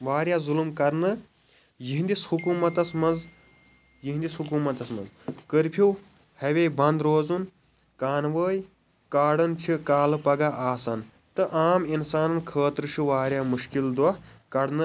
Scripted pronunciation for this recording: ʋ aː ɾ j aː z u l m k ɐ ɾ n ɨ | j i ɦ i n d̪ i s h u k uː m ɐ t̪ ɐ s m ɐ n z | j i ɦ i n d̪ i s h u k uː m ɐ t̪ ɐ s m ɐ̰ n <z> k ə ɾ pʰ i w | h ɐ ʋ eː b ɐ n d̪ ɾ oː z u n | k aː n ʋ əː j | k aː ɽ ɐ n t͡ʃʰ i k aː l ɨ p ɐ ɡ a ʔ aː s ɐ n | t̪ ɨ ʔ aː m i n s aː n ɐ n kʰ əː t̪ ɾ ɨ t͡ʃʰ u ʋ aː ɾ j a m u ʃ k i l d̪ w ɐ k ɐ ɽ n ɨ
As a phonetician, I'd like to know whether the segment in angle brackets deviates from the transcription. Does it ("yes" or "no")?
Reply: no